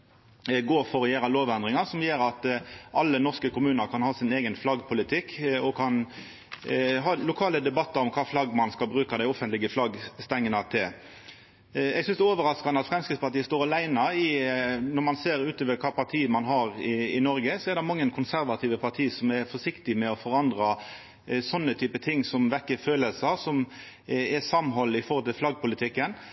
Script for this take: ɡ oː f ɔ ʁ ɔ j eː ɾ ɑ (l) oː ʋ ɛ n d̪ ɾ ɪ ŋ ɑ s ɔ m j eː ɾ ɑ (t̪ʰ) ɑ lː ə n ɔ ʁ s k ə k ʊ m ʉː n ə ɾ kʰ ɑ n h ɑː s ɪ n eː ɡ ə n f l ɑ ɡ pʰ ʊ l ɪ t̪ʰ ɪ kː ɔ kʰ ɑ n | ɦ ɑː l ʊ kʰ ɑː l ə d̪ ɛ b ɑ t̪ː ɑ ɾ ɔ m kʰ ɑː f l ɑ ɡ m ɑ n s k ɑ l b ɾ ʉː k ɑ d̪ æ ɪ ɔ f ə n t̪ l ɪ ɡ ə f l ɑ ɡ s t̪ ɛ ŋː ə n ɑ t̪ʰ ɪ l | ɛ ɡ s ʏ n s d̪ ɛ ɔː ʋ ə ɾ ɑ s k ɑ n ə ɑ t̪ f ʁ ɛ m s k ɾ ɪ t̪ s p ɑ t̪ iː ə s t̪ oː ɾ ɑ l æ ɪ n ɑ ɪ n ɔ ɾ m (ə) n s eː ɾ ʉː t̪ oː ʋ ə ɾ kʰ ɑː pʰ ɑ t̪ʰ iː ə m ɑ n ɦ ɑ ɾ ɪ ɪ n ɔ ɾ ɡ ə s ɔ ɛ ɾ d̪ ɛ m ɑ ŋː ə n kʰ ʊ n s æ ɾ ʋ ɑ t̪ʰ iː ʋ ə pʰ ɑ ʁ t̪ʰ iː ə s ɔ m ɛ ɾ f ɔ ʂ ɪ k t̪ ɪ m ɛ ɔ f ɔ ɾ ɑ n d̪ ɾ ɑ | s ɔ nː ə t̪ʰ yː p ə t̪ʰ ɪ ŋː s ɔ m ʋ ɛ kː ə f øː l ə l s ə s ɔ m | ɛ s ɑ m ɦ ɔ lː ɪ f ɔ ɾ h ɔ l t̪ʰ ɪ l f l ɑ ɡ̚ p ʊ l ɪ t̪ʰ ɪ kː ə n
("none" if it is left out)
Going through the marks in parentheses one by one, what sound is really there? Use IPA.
l, t̪, ɑ

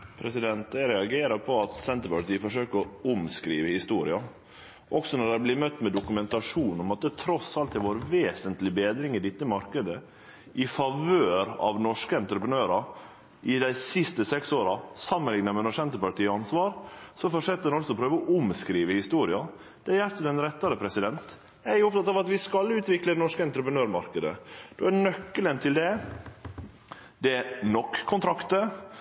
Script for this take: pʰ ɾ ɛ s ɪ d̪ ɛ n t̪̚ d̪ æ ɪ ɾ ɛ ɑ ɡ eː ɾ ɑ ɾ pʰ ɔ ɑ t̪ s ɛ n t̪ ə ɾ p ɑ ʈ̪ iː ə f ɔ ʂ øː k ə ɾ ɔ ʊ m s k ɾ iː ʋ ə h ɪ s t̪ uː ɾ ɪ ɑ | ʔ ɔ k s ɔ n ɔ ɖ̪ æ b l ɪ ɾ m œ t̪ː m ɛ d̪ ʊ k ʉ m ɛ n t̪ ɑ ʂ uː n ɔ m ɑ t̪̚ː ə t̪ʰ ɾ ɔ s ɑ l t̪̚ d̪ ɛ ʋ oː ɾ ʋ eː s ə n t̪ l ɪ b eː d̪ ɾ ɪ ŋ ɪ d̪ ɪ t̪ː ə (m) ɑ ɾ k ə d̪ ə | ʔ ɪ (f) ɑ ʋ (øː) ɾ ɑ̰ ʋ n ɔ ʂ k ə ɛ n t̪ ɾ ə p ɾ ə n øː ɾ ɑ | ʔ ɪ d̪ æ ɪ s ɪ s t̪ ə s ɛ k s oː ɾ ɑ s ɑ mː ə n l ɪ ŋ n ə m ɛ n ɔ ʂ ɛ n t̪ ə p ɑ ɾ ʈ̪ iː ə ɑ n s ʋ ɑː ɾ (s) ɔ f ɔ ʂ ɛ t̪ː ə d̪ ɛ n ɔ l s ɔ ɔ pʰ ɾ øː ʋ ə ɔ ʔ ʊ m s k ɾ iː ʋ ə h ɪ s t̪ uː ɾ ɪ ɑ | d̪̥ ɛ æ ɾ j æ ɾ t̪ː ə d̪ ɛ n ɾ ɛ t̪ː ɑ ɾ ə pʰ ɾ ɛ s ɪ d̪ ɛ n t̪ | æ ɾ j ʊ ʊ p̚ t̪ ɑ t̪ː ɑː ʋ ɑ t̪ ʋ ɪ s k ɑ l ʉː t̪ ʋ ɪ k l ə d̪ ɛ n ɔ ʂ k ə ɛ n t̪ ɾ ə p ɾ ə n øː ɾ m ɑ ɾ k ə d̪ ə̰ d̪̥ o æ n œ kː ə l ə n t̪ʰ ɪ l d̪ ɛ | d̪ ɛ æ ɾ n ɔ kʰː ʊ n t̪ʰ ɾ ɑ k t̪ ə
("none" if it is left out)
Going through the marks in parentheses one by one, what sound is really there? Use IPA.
m, f, øː, s

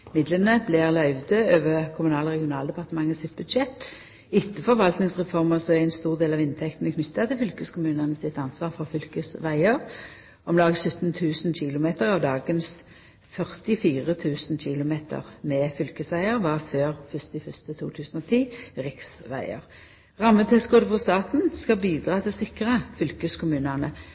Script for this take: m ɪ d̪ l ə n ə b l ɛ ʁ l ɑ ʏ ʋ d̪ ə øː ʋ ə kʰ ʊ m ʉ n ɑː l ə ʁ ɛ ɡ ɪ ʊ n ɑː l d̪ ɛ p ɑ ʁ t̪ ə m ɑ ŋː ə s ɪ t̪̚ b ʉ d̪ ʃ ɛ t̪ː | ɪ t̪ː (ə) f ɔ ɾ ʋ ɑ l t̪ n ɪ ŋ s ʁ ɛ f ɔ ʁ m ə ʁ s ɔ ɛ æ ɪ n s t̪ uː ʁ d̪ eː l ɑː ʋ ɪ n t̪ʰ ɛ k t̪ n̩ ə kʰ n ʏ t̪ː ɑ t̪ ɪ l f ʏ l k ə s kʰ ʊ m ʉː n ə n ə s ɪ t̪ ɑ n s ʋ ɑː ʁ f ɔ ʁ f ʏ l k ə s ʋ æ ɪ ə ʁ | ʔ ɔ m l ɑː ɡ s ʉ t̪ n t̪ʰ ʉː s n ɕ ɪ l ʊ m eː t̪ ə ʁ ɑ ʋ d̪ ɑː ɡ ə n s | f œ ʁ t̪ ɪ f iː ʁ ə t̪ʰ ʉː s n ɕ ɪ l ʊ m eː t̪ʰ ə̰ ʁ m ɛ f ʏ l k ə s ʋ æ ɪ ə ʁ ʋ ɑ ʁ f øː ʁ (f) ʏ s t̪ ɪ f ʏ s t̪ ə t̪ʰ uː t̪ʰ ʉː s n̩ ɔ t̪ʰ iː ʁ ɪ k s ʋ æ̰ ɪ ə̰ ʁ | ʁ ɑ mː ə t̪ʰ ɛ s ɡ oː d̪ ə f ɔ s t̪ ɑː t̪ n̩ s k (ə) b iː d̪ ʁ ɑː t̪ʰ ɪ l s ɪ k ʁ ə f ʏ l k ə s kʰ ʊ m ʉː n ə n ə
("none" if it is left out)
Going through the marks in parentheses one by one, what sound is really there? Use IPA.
ə, f, ɑ

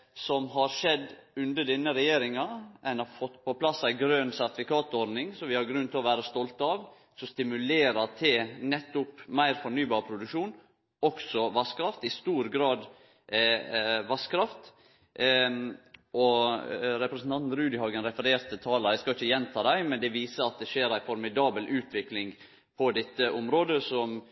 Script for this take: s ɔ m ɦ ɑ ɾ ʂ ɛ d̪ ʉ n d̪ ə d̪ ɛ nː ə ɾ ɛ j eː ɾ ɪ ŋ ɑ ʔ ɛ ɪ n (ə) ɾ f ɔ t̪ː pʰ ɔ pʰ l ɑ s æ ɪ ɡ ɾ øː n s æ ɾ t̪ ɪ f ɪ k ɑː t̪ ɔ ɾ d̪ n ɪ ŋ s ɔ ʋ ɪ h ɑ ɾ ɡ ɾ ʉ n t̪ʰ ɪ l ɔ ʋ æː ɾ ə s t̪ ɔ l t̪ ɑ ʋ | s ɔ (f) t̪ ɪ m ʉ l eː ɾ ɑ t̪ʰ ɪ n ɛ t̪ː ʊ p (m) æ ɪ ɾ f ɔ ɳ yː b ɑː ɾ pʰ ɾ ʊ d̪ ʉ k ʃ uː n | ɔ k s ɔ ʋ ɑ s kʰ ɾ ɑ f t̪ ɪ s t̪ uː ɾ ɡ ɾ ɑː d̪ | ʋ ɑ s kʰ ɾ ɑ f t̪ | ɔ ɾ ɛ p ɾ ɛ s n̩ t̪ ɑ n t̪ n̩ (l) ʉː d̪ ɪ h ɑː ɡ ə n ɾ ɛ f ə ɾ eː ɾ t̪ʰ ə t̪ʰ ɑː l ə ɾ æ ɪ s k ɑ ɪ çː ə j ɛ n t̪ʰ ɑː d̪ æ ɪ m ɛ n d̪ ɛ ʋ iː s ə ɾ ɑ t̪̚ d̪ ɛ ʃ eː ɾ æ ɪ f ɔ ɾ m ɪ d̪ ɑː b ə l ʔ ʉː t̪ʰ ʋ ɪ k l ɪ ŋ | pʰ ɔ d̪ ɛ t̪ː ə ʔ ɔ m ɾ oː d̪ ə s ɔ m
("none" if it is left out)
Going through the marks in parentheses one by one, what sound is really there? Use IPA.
ɑ, s, m, ɾ

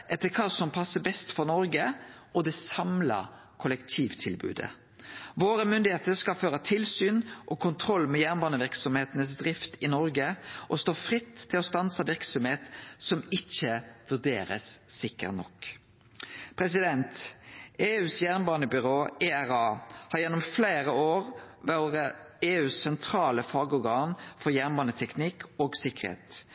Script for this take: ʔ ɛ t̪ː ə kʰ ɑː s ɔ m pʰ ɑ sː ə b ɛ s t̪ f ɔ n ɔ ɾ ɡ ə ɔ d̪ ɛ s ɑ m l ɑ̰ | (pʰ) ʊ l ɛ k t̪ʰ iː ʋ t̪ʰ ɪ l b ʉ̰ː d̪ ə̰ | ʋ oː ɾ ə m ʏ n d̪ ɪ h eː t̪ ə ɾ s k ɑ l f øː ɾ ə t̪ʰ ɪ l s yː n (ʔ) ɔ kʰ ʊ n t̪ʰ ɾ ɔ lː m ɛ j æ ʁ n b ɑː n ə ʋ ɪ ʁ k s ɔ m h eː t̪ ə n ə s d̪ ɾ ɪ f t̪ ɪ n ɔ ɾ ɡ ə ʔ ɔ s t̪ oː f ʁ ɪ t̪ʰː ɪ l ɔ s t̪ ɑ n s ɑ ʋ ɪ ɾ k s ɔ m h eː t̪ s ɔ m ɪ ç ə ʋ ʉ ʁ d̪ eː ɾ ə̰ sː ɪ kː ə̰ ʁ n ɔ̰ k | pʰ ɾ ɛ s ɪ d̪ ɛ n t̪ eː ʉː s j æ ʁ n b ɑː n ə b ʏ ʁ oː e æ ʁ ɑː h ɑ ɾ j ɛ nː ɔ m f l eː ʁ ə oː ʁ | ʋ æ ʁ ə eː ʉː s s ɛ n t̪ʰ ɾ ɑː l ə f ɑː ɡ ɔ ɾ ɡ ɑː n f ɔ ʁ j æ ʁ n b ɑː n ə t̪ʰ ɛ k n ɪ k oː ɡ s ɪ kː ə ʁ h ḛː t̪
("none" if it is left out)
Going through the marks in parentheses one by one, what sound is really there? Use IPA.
kʰ, ʔ

